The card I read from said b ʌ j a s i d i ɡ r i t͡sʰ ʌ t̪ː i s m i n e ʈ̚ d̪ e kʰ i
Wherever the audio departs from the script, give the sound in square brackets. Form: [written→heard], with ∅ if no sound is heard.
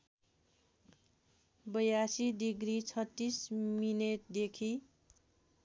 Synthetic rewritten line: b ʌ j a s i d i ɡ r i t͡sʰ ʌ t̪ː i s m i n e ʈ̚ d̪ e kʰ i

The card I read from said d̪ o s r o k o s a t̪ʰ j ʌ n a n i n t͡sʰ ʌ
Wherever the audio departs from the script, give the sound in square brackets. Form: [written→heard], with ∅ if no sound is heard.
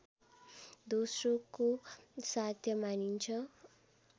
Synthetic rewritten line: d̪ o s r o k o s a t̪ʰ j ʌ [n→m] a n i n t͡sʰ ʌ

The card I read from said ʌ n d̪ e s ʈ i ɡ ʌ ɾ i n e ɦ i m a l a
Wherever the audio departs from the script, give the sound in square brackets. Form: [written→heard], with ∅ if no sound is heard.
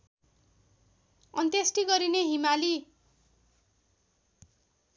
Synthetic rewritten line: ʌ n [d̪→t̪] e s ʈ i ɡ ʌ ɾ i n e ɦ i m a l [a→i]

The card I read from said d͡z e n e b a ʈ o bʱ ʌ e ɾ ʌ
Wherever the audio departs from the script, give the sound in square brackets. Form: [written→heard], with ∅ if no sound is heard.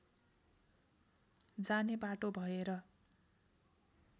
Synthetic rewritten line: d͡z [e→a] n e b a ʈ o bʱ ʌ e ɾ ʌ

